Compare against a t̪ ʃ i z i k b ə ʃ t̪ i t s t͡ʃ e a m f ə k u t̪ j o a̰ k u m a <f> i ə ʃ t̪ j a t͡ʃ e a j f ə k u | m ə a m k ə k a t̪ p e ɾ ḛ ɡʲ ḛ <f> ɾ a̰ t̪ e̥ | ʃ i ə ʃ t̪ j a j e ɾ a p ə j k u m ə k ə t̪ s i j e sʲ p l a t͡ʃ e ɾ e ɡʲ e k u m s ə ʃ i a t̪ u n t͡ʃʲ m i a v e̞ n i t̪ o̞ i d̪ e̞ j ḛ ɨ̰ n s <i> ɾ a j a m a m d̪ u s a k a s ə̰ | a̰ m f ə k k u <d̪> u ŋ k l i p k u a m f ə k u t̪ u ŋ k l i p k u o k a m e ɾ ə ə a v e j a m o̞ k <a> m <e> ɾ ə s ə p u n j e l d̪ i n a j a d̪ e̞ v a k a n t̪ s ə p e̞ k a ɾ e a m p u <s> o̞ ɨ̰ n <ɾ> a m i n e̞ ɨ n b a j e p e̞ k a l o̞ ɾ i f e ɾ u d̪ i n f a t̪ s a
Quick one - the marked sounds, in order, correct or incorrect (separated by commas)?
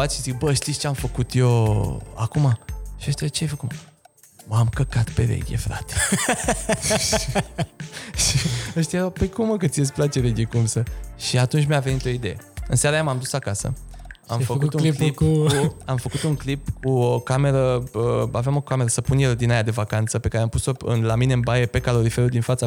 incorrect, correct, incorrect, incorrect, correct, correct, correct, incorrect